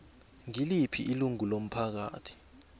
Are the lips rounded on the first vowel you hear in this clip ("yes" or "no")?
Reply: no